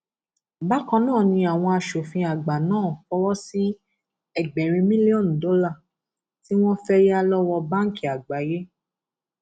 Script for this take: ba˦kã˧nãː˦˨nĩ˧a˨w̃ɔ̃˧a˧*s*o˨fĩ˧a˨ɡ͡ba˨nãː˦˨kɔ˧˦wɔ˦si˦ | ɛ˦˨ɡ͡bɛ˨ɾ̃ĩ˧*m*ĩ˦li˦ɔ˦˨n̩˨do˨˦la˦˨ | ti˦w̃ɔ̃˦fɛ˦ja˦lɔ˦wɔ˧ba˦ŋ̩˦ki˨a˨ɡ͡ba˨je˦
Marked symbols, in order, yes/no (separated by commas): no, yes